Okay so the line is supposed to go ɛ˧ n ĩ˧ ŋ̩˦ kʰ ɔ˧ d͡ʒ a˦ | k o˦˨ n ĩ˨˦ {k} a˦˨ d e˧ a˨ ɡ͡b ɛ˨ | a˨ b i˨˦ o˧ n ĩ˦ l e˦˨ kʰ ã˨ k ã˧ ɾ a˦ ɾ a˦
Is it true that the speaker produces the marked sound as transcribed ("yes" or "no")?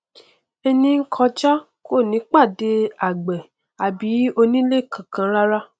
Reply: no